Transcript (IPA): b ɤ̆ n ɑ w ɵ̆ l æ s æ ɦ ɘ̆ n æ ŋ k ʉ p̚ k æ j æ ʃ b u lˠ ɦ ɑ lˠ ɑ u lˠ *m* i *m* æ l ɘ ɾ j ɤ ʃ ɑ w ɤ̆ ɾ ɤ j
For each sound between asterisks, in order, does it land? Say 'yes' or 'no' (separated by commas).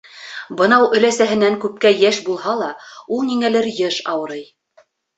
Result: no, no